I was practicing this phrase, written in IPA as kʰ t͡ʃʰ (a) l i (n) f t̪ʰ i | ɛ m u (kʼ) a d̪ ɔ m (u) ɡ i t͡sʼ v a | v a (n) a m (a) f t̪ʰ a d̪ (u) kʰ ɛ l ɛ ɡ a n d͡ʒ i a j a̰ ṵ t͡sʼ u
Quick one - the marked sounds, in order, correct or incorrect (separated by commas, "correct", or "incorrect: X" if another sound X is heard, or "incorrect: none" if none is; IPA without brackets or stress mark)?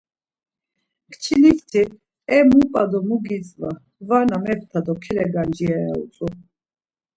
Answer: incorrect: i, incorrect: none, incorrect: pʼ, correct, correct, incorrect: ɛ, incorrect: ɔ